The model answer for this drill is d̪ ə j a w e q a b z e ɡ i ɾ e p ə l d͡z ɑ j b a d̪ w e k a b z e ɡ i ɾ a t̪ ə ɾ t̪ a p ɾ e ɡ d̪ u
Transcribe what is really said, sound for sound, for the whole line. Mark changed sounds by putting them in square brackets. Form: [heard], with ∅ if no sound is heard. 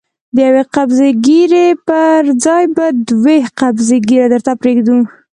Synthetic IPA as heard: d̪ ə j a w e q a b z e ɡ i ɾ e p ə [ɾ] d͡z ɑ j b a d̪ w e [q] a b z e ɡ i ɾ a [d̪] ə ɾ t̪ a p ɾ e ɡ d̪ u